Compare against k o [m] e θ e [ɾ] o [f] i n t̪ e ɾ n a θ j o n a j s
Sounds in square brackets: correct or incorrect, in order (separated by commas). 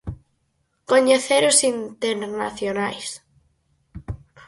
incorrect, correct, incorrect